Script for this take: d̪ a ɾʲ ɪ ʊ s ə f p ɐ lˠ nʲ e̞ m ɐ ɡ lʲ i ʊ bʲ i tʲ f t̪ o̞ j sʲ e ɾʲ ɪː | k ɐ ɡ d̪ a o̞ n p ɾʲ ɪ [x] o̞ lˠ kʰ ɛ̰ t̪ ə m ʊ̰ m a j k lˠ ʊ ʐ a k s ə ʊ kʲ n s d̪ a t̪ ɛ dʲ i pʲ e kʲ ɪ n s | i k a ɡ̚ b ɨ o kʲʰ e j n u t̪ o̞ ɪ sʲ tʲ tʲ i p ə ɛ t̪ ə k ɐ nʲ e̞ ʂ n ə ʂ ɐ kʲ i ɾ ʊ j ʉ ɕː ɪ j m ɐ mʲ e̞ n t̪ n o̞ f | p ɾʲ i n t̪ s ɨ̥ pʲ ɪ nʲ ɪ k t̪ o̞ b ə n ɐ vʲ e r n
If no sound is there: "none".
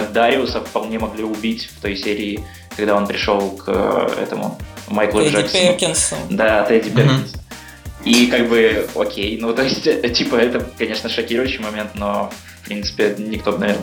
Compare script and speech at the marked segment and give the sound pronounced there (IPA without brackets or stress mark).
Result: ʂ